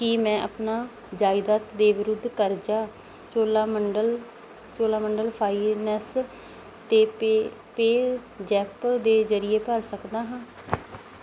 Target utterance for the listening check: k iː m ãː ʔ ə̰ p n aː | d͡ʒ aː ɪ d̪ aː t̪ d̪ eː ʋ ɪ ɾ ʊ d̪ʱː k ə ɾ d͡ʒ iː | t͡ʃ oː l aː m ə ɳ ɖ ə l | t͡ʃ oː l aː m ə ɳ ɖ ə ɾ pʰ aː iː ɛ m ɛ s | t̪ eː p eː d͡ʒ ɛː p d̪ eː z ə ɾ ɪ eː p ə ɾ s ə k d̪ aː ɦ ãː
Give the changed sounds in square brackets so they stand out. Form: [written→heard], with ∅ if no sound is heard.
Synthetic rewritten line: k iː m [ãː→ɛ̃ː] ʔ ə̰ p n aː | d͡ʒ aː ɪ d̪ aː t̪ d̪ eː ʋ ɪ ɾ ʊ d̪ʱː k ə ɾ d͡ʒ [iː→aː] | t͡ʃ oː l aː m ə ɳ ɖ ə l | t͡ʃ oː l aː m ə ɳ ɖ ə [ɾ→l] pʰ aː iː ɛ [m→n] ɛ s | t̪ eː p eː d͡ʒ ɛː p d̪ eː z ə ɾ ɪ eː p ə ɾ s ə k d̪ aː ɦ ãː

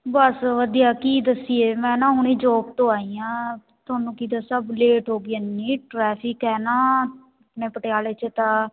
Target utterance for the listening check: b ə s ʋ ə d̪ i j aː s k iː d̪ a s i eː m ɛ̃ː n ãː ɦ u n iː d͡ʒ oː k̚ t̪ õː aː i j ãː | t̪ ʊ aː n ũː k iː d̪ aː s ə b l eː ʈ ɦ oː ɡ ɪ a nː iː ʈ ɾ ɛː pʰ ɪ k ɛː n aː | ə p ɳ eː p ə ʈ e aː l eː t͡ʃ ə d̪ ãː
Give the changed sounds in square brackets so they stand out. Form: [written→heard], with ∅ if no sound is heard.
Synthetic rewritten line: b ə s ʋ ə d̪ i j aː [s→∅] k iː d̪ [a→ə] s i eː m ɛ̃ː n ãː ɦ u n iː d͡ʒ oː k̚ t̪ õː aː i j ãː | t̪ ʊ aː n ũː k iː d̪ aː s ə b l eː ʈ ɦ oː ɡ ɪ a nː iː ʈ ɾ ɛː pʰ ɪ k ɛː n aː | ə p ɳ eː p ə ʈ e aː l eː t͡ʃ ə [d̪→t̪] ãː

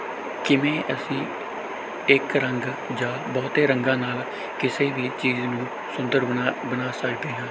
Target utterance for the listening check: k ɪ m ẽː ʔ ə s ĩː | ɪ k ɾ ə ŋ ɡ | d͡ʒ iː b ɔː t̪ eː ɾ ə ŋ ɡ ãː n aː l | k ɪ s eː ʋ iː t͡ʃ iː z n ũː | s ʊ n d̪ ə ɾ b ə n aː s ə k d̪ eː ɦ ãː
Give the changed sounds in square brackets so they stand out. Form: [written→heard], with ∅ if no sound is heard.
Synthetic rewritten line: k ɪ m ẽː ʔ ə s ĩː | ɪ k ɾ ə ŋ ɡ | d͡ʒ [iː→aː] b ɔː t̪ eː ɾ ə ŋ ɡ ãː n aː l | k ɪ s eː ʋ iː t͡ʃ iː z n ũː | s ʊ n d̪ ə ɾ b ə n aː s ə k d̪ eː ɦ ãː

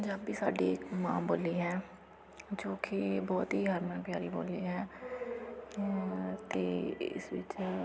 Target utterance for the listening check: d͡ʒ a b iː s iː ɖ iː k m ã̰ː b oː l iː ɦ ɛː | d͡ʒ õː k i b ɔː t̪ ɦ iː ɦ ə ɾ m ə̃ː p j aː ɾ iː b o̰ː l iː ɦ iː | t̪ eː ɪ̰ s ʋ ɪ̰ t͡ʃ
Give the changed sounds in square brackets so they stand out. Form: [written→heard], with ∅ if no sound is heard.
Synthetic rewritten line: d͡ʒ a b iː s [iː→aː] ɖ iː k m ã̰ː b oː l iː ɦ ɛː | d͡ʒ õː k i b ɔː t̪ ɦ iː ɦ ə ɾ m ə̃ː p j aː ɾ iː b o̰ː l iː ɦ [iː→ɛː] | t̪ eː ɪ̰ s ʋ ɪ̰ t͡ʃ

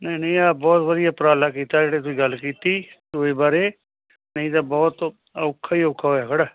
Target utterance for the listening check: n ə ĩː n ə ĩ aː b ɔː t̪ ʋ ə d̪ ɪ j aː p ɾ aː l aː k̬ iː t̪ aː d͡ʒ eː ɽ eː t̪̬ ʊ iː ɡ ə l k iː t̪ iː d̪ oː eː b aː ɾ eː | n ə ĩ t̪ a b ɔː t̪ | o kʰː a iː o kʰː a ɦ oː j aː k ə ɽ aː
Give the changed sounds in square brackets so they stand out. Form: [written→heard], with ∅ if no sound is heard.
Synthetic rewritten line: n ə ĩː n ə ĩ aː b ɔː t̪ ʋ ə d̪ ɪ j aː p ɾ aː l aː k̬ iː t̪ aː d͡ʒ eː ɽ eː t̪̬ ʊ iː ɡ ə l k iː t̪ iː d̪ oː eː b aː ɾ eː | n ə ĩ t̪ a b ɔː t̪ | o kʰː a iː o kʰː a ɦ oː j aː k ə ɽ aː

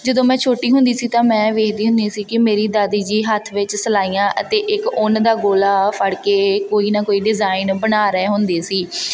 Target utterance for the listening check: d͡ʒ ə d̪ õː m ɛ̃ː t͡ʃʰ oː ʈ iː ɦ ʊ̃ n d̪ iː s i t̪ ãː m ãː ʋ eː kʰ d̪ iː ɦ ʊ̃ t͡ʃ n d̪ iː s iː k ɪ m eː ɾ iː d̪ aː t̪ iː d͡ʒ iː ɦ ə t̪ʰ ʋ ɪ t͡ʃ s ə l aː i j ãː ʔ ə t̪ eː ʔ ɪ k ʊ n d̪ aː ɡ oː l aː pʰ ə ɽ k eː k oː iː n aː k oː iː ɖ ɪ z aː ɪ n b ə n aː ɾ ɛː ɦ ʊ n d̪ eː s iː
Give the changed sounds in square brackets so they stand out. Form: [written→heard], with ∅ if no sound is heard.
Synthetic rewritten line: d͡ʒ ə d̪ õː m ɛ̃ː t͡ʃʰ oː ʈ iː ɦ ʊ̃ n d̪ iː s [i→iː] t̪ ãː m [ãː→ɛ̃ː] ʋ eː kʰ d̪ iː ɦ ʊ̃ [t͡ʃ→∅] n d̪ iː s iː k ɪ m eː ɾ iː d̪ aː [t̪→d̪] iː d͡ʒ iː ɦ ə t̪ʰ ʋ ɪ t͡ʃ s ə l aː i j ãː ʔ ə t̪ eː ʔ ɪ k ʊ n d̪ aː ɡ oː l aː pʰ ə ɽ k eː k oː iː n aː k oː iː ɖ ɪ z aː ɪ n b ə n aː ɾ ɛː ɦ ʊ n d̪ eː s iː

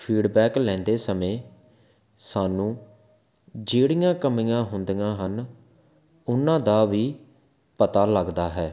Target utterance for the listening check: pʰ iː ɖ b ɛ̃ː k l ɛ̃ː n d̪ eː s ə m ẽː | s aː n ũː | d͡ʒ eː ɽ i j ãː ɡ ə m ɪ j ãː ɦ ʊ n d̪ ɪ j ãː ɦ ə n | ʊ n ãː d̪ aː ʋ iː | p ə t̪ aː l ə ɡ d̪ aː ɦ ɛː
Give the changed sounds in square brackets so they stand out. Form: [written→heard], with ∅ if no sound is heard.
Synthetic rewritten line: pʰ iː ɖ b [ɛ̃ː→ɛː] k l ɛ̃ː n d̪ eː s ə m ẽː | s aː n ũː | d͡ʒ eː ɽ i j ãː [ɡ→k] ə m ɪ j ãː ɦ ʊ n d̪ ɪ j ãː ɦ ə n | ʊ n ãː d̪ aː ʋ iː | p ə t̪ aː l ə ɡ d̪ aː ɦ ɛː

